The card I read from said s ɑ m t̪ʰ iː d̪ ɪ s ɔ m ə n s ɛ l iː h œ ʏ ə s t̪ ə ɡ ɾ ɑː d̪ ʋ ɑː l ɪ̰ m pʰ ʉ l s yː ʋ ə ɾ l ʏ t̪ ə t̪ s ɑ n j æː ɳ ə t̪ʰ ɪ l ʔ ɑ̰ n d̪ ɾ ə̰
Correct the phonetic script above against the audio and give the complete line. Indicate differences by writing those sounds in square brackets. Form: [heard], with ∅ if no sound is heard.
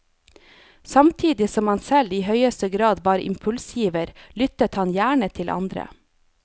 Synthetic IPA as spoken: s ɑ m t̪ʰ iː d̪ ɪ s ɔ m [ɑ] n s ɛ l iː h œ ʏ ə s t̪ ə ɡ ɾ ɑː d̪ ʋ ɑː [ɾ] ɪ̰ m pʰ ʉ l s [iː] ʋ ə ɾ l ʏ t̪ ə t̪ [h] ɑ n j æː ɳ ə t̪ʰ ɪ l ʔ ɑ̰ n d̪ ɾ ə̰